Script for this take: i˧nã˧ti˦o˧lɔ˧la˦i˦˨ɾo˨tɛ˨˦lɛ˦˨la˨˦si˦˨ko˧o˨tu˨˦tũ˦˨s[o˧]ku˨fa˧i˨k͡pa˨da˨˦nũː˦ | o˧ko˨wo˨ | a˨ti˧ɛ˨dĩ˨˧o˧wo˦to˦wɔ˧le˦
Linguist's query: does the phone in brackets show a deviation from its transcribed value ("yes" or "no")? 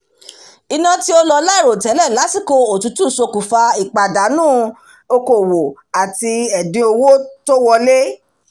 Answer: no